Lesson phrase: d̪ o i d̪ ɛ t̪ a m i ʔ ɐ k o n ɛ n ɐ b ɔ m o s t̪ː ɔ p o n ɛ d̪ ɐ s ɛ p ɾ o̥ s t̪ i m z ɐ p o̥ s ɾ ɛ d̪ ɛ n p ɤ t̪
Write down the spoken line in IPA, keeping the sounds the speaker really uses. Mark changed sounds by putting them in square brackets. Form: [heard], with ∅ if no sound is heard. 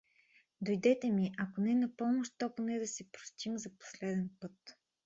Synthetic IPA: d̪ o [j] d̪ ɛ t̪ [ɛ] m i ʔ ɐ k o n ɛ n ɐ [p] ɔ m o [ʃ] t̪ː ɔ p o n ɛ d̪ ɐ s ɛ p ɾ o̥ s t̪ i m z ɐ p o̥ s [l] ɛ d̪ ɛ n p ɤ t̪